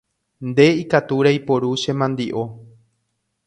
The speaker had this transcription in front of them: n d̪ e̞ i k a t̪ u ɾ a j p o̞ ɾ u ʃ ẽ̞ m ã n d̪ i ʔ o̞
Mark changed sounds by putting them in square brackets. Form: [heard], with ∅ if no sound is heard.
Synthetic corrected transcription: n d̪ e̞ i k a t̪ u ɾ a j p o̞ ɾ u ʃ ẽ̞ m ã n d̪ i ʔ o̞

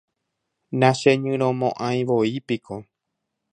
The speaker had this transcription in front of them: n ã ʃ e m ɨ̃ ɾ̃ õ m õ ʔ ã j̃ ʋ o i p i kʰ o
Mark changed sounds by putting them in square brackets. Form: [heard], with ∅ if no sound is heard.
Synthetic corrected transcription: n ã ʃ e [ɲ] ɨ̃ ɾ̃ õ m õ ʔ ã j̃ ʋ o i p i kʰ o

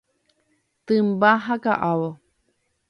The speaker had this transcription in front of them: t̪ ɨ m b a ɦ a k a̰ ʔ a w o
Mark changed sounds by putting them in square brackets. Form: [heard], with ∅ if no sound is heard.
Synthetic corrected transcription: t̪ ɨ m b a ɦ a k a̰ ʔ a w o

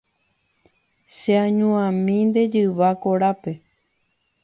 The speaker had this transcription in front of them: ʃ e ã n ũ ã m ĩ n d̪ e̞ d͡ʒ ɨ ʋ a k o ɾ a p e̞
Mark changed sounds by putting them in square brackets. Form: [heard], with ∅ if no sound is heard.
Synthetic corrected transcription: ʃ e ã [ɲ] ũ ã m ĩ n d̪ e̞ d͡ʒ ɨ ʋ a k o ɾ a p e̞

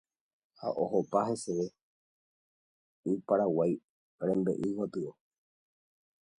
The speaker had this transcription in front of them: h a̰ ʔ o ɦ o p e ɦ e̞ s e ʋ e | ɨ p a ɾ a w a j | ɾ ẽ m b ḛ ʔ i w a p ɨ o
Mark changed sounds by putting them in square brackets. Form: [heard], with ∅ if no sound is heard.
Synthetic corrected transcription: h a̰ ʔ o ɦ o p [a] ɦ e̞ s e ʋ e | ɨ p a ɾ a w a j | ɾ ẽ m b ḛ ʔ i w a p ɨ o

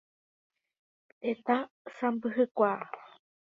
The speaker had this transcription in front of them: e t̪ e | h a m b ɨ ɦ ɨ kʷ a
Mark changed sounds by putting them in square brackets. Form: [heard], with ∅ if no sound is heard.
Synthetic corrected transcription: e t̪ [a] | [s] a m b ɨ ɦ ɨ kʷ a

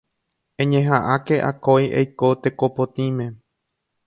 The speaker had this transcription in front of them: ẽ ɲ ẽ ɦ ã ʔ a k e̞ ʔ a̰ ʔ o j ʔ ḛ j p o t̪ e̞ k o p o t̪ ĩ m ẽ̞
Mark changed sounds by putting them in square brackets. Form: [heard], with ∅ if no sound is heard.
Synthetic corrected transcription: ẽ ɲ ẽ ɦ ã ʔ a k e̞ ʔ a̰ [k] o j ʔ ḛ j [k] o t̪ e̞ k o p o t̪ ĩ m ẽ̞

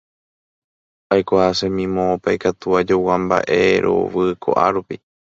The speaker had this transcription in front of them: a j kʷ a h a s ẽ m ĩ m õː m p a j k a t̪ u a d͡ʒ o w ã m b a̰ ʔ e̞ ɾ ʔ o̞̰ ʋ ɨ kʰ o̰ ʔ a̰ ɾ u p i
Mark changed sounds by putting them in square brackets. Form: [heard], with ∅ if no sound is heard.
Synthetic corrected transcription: a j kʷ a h a s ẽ m ĩ m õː [∅] p a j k a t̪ u a d͡ʒ o w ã m b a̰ ʔ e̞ ɾ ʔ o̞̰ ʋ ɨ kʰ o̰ ʔ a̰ ɾ u p i

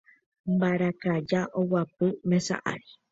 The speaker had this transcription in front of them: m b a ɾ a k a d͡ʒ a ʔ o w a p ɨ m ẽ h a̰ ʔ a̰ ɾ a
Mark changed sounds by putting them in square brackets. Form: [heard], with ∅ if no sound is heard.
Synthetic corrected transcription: m b a ɾ a k a d͡ʒ a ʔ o w a p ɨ m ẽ [s] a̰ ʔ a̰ ɾ [i]

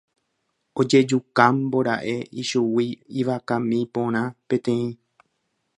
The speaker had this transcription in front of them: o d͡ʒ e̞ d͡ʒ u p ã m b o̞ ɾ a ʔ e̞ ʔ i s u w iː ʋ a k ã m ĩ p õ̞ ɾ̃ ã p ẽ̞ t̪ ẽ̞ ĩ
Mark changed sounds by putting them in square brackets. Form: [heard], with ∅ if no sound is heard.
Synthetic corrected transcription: o d͡ʒ e̞ d͡ʒ u [k] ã m b o̞ ɾ a ʔ e̞ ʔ i [ʃ] u w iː ʋ a k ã m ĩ p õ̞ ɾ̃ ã p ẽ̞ t̪ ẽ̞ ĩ

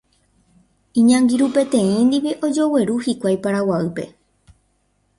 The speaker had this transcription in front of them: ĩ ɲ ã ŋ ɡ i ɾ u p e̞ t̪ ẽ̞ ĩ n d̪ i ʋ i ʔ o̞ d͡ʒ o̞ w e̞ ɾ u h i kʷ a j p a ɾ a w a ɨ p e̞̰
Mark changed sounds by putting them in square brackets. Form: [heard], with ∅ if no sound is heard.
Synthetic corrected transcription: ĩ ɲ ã ŋ ɡ i ɾ u p e̞ t̪ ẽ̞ ĩ n d̪ i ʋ i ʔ o̞ d͡ʒ o̞ w e̞ ɾ u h i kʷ a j p a ɾ a w a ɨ p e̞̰

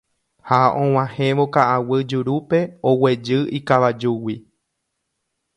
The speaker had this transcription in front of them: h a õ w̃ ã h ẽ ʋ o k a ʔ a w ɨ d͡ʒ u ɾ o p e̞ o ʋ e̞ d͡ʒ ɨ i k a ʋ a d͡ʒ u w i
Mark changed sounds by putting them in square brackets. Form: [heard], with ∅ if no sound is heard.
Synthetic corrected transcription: h a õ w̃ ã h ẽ ʋ o k a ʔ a w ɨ d͡ʒ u ɾ [u] p e̞ o [w] e̞ d͡ʒ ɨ i k a ʋ a d͡ʒ u w i

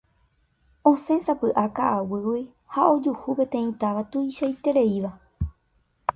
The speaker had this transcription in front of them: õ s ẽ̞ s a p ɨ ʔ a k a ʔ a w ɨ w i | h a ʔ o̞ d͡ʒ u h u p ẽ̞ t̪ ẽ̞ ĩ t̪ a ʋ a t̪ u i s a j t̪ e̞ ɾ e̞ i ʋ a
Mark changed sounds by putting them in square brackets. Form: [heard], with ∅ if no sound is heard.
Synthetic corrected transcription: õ s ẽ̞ s a p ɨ ʔ a k a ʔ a w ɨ w i | h a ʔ o̞ d͡ʒ u h u p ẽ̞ t̪ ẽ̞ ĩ t̪ a ʋ a t̪ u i [ʃ] a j t̪ e̞ ɾ e̞ i ʋ a

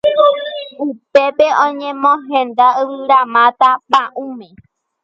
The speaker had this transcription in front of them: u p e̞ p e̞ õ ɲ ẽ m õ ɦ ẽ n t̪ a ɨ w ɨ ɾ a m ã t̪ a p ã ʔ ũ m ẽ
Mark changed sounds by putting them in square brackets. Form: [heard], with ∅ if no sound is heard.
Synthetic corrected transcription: u p e̞ p e̞ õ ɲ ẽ m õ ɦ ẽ n [d̪] a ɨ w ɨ ɾ a m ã t̪ a p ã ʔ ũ m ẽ

